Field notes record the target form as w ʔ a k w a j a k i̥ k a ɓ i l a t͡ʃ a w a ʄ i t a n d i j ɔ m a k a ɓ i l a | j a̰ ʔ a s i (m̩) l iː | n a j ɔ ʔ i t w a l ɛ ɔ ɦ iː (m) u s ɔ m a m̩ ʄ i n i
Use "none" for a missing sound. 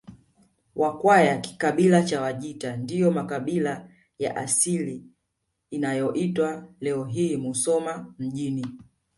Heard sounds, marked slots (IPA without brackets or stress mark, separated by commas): none, m